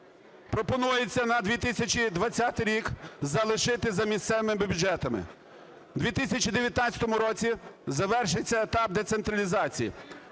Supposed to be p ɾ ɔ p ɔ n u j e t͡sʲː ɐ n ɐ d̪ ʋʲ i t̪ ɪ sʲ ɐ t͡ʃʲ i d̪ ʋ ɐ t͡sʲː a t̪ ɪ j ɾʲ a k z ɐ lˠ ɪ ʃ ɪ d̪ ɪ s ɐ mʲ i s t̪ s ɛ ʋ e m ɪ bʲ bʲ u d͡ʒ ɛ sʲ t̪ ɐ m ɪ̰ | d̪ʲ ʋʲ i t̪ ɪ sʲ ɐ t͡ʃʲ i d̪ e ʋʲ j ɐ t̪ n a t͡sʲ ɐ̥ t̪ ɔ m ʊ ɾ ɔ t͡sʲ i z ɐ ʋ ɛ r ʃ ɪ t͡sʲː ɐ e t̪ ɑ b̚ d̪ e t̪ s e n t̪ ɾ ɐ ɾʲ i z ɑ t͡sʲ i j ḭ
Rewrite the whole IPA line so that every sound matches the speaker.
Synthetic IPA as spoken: p ɾ ɔ p ɔ n u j e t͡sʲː ɐ n ɐ d̪ ʋʲ i t̪ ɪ sʲ ɐ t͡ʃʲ i d̪ ʋ ɐ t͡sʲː a t̪ ɪ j ɾʲ i k z ɐ lˠ ɪ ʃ ɪ t̪ ɪ z ɐ mʲ i s t̪ s ɛ ʋ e m ɪ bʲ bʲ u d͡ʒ ɛ t̪ ɐ m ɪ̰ | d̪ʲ ʋʲ i t̪ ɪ sʲ ɐ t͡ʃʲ i d̪ e ʋʲ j ɐ t̪ n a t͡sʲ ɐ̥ t̪ ɔ m ʊ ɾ ɔ t͡sʲ i z ɐ ʋ ɛ r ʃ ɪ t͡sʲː ɐ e t̪ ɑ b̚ d̪ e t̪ s e n t̪ ɾ ɐ lʲ i z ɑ t͡sʲ i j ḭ